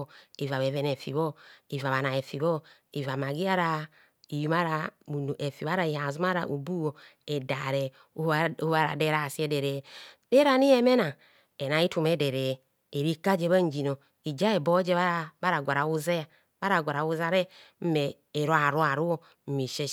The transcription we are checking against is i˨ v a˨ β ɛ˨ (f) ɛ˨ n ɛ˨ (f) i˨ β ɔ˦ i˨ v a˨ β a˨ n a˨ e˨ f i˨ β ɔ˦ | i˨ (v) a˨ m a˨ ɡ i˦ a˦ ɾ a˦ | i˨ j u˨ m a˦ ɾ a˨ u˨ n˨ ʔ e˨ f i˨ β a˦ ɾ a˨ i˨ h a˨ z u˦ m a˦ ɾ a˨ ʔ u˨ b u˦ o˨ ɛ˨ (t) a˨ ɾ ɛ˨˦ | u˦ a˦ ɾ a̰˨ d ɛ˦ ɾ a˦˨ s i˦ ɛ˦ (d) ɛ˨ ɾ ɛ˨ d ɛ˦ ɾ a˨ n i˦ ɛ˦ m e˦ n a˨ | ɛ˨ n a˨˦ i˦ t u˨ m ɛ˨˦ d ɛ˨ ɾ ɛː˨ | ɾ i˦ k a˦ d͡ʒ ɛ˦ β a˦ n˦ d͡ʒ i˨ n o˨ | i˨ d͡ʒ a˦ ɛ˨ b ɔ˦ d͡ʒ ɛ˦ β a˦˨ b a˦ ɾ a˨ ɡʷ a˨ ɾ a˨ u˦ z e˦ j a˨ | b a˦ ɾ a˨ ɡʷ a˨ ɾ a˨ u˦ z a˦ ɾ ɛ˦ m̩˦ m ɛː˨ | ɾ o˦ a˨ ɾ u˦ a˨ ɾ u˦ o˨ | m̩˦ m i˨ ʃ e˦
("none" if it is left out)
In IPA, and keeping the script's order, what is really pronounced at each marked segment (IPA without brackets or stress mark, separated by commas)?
v, f, v, d, d